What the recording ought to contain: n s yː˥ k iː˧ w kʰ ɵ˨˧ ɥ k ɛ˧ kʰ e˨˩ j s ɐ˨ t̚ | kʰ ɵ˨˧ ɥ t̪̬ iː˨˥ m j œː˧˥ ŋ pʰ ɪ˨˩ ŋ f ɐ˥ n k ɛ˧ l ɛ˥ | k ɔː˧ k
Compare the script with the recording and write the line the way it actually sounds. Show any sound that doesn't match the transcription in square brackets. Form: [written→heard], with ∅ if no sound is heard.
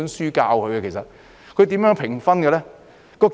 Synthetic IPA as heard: n s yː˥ k [iː˧→aː˧] w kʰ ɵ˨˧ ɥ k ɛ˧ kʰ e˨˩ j s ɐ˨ t̚ | kʰ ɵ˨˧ ɥ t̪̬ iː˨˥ m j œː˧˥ ŋ pʰ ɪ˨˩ ŋ f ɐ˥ n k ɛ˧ l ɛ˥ | k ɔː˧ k